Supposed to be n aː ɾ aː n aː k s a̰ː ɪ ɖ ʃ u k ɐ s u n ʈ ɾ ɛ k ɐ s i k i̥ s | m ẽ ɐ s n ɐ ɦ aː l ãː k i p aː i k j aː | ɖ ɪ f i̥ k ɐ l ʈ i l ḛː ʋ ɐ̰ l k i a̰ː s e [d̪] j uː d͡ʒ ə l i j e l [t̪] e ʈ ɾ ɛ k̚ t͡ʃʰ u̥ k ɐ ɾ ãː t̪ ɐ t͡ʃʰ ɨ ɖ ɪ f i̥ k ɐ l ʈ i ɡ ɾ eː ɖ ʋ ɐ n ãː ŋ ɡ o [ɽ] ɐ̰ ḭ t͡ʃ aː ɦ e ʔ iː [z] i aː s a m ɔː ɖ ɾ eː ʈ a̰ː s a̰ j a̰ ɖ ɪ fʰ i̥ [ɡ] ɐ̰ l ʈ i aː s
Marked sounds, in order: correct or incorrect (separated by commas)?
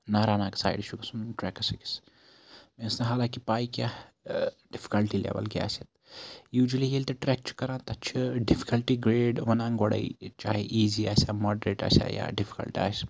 incorrect, correct, correct, correct, incorrect